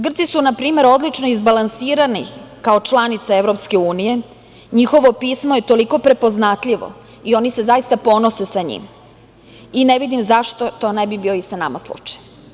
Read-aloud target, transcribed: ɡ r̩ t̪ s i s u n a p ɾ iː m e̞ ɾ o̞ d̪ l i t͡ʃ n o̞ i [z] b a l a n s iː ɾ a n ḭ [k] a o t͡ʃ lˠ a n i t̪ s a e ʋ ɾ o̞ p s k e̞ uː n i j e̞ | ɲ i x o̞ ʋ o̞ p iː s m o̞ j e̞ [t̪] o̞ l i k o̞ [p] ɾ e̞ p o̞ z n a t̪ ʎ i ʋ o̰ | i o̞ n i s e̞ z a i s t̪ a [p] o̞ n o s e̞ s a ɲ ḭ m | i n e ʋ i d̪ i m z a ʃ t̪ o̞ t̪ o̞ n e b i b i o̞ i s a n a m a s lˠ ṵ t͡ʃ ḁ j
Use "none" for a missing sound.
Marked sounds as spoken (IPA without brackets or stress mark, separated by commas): z, k, t̪, p, p